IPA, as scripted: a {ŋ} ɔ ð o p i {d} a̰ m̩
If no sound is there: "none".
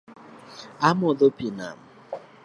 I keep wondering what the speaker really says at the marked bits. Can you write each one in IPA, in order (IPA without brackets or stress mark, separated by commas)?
m, n